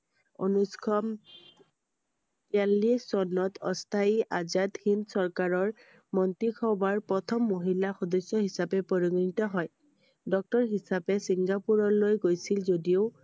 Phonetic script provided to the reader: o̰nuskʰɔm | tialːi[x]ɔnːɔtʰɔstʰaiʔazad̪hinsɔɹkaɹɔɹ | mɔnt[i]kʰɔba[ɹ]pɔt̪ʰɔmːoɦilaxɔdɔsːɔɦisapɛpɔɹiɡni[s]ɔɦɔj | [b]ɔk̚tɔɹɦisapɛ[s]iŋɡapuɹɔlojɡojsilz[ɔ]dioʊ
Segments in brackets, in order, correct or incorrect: incorrect, correct, correct, incorrect, incorrect, correct, incorrect

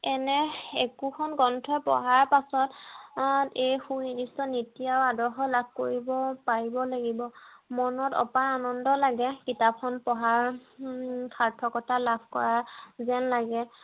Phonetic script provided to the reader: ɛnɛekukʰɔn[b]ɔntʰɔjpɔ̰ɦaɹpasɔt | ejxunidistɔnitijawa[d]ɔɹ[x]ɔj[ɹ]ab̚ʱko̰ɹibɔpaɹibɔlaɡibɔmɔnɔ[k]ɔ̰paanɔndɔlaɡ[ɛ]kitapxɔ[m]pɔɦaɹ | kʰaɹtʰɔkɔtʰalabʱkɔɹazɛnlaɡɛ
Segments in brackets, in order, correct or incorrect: incorrect, correct, correct, incorrect, incorrect, correct, incorrect

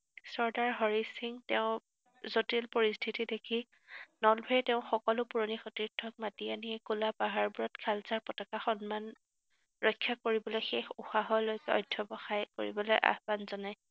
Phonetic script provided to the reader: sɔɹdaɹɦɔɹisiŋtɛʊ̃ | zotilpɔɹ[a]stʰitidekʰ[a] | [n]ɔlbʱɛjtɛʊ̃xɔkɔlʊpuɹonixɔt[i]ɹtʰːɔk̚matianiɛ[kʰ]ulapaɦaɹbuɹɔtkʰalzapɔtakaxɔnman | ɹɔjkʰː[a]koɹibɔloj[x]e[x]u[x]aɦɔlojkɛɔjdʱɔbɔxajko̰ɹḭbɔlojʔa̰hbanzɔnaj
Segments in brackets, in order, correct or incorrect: incorrect, incorrect, correct, correct, incorrect, correct, correct, correct, correct

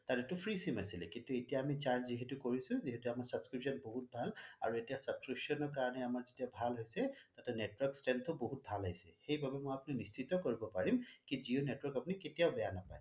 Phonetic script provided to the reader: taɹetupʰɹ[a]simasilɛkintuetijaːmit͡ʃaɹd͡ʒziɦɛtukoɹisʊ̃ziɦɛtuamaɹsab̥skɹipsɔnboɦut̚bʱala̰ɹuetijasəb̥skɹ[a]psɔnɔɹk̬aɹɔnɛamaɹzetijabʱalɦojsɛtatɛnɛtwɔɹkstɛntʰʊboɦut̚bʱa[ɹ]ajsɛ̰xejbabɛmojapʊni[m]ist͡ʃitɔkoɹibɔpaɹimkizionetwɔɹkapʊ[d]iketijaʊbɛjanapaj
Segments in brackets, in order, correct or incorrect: incorrect, incorrect, incorrect, incorrect, incorrect

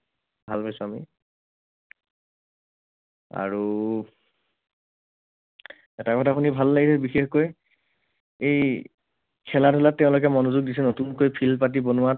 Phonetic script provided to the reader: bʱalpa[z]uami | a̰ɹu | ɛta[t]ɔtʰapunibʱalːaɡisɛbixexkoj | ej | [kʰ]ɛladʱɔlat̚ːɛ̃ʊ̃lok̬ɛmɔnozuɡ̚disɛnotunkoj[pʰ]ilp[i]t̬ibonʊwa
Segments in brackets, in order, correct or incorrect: incorrect, incorrect, correct, correct, incorrect

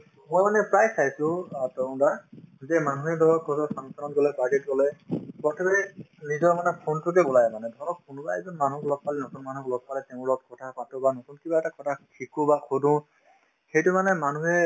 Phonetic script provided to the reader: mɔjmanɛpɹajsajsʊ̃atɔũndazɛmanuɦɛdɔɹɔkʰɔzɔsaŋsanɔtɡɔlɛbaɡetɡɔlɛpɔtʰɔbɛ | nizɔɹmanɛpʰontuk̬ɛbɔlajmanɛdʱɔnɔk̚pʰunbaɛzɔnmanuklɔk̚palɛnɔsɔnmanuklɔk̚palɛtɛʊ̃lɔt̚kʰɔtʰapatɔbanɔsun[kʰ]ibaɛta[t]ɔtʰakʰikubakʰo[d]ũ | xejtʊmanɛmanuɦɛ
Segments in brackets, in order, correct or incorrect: incorrect, incorrect, correct

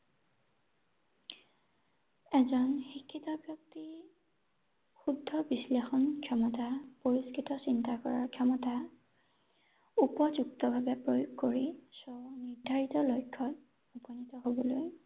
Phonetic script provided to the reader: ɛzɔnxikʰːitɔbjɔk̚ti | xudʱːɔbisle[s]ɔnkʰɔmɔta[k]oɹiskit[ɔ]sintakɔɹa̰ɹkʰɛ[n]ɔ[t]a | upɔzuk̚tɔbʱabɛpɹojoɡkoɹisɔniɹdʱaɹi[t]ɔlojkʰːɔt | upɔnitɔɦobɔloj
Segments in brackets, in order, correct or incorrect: incorrect, incorrect, correct, incorrect, correct, correct

